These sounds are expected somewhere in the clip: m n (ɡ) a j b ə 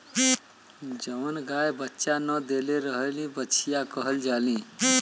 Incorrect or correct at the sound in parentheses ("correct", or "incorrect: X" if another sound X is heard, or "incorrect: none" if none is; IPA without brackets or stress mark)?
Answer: correct